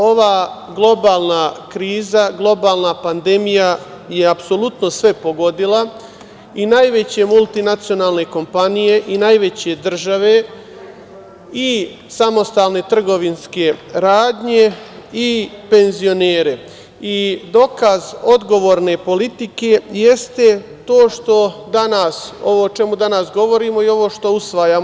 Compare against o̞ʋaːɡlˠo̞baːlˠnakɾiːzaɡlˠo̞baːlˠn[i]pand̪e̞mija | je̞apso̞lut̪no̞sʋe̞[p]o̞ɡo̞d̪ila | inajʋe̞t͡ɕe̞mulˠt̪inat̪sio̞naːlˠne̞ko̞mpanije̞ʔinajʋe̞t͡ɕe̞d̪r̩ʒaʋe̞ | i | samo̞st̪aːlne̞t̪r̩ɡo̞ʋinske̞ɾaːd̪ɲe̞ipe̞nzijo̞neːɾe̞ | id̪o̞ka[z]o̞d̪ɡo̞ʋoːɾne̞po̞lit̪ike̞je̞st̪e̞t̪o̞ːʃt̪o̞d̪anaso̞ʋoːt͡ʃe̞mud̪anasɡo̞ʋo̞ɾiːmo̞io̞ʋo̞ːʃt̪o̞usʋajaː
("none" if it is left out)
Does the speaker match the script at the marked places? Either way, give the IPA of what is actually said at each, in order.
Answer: a, p, z

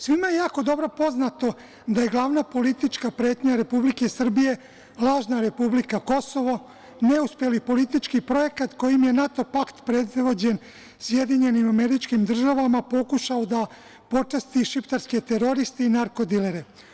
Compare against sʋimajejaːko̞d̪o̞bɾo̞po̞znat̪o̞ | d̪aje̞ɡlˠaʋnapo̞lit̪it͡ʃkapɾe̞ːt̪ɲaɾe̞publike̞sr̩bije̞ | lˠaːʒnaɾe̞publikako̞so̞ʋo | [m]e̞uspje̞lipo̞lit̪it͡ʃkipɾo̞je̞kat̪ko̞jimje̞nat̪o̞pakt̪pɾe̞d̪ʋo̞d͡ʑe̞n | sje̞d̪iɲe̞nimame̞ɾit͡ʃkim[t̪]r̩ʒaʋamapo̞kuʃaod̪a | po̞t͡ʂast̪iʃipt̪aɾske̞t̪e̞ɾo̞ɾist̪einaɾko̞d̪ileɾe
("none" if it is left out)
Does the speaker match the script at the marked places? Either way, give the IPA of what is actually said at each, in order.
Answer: n, d̪

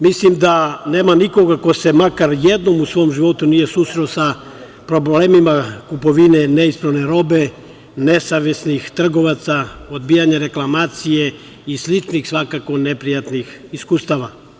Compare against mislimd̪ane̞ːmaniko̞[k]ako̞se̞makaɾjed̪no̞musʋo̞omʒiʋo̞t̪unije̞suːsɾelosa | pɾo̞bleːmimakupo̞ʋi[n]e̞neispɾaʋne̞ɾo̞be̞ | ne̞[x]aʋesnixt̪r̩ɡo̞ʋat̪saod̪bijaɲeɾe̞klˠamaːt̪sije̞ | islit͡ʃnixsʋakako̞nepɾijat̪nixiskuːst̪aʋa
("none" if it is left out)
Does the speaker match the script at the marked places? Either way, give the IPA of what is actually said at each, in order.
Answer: ɡ, n, s

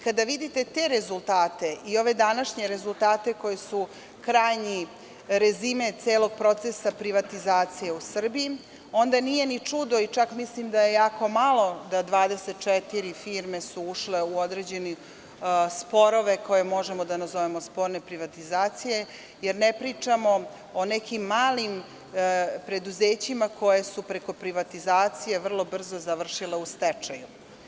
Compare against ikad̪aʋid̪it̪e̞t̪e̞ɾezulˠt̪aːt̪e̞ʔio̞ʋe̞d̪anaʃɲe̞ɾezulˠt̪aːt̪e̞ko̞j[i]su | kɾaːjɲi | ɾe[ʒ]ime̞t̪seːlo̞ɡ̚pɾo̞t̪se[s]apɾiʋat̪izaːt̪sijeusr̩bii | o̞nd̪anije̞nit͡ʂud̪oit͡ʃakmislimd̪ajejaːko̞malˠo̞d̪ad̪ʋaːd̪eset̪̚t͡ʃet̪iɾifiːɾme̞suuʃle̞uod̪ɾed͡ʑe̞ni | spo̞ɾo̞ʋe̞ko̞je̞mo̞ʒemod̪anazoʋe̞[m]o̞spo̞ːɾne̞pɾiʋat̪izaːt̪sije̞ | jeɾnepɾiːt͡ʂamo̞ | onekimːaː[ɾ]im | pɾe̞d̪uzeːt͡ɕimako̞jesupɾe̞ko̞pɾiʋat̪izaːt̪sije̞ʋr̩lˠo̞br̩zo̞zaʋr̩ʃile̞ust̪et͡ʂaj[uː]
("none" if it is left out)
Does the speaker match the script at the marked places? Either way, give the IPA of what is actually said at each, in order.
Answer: e, z, s, m, l, u

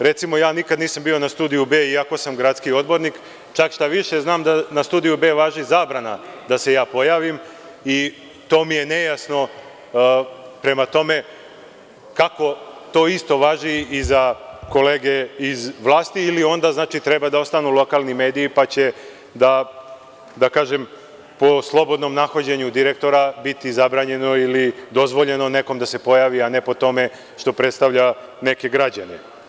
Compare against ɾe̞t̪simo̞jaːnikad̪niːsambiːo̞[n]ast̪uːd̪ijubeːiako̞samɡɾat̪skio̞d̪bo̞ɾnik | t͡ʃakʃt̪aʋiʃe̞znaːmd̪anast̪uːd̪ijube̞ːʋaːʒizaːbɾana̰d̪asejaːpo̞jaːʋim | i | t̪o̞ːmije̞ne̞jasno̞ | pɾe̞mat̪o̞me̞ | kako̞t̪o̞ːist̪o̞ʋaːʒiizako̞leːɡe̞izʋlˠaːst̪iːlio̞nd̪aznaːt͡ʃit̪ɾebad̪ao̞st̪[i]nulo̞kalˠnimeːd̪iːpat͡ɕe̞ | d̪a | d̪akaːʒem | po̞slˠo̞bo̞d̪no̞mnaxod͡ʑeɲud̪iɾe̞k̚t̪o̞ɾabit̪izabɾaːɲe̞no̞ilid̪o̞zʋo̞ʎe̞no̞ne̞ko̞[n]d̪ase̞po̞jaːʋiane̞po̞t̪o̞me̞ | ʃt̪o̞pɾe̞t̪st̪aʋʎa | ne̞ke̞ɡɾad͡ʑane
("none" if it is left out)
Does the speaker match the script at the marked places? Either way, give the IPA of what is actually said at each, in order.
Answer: n, a, m

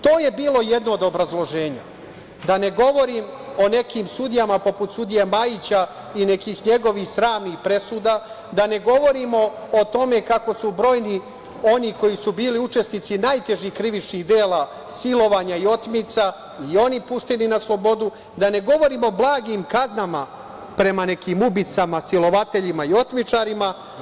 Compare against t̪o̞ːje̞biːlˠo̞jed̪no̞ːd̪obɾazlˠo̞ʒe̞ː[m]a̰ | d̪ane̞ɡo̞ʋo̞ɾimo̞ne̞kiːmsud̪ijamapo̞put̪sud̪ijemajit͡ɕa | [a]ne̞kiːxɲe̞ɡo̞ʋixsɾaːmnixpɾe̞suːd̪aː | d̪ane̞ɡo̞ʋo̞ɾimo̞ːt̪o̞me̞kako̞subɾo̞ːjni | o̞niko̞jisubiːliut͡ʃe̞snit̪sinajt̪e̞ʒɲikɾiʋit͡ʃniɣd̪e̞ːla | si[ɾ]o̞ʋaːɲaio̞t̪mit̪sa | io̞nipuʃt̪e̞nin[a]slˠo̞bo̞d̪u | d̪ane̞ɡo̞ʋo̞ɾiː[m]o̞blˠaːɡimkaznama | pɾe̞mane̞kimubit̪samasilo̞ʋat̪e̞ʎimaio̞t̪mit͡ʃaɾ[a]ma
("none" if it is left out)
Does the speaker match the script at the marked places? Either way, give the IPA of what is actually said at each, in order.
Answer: ɲ, i, l, a, m, i

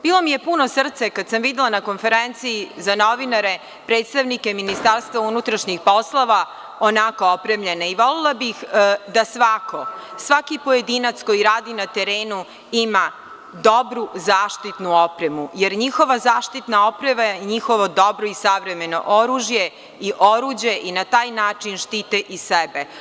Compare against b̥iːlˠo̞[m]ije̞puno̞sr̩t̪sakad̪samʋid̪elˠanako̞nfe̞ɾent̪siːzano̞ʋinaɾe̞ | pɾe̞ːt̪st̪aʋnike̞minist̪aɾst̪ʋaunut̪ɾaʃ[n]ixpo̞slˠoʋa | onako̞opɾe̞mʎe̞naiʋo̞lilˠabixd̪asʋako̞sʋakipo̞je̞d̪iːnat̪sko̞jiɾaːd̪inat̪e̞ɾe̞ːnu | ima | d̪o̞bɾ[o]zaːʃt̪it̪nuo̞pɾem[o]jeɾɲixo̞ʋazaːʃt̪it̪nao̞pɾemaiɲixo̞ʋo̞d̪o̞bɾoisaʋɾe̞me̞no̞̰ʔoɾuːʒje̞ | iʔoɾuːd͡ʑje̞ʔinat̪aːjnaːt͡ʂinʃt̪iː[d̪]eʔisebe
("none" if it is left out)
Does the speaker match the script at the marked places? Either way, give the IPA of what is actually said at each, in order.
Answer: m, ɲ, u, u, t̪

